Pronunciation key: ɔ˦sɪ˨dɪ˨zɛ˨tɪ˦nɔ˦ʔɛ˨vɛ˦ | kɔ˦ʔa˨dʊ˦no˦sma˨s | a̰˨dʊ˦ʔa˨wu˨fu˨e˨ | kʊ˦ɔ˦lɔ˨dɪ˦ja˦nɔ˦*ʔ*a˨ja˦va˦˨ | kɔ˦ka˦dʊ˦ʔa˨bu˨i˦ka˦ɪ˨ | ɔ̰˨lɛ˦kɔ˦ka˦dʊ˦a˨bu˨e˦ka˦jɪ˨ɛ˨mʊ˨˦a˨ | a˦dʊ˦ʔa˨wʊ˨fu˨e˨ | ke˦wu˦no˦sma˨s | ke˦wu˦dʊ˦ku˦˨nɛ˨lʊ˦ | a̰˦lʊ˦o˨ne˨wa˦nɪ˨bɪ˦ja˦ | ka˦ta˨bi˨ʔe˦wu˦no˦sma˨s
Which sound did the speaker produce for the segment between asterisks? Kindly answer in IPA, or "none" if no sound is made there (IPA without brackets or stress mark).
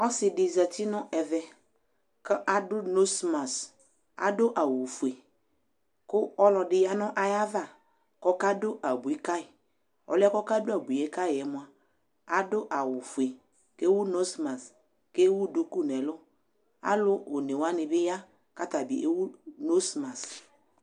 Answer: ʔ